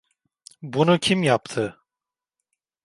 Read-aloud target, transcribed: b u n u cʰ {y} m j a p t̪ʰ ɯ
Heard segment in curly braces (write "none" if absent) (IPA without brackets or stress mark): i